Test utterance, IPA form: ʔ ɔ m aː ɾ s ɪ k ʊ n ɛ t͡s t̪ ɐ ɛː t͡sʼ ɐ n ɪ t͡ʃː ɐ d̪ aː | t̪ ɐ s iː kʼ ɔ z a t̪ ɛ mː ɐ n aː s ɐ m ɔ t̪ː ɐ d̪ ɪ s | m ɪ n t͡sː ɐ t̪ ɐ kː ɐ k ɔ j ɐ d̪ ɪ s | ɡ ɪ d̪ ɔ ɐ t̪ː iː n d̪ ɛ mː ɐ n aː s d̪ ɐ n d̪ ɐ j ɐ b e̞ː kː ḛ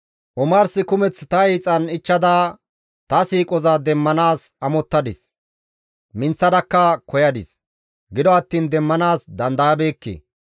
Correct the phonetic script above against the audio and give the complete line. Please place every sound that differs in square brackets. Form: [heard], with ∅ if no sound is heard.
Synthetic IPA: ʔ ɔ m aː ɾ s ɪ k ʊ [m] ɛ t͡s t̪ ɐ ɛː t͡sʼ ɐ n ɪ t͡ʃː ɐ d̪ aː | t̪ ɐ s iː kʼ ɔ z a [d̪] ɛ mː ɐ n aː s ɐ m ɔ t̪ː ɐ d̪ ɪ s | m ɪ n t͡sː ɐ [d̪] ɐ kː ɐ k ɔ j ɐ d̪ ɪ s | ɡ ɪ d̪ ɔ ɐ t̪ː iː n d̪ ɛ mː ɐ n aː s d̪ ɐ n d̪ ɐ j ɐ b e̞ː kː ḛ